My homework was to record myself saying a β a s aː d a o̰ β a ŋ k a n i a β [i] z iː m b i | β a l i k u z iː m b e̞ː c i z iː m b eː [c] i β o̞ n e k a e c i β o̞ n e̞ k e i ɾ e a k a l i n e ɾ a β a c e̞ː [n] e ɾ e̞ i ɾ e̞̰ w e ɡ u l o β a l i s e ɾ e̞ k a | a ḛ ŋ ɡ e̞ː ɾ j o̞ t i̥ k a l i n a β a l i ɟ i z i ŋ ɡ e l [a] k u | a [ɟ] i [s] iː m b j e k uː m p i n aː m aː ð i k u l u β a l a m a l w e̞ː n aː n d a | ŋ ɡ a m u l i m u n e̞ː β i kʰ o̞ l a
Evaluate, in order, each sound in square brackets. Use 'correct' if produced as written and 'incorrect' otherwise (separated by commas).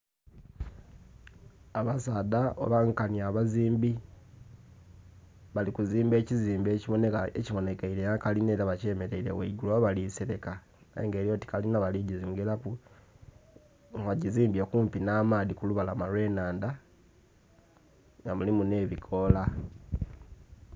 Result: incorrect, correct, incorrect, correct, correct, incorrect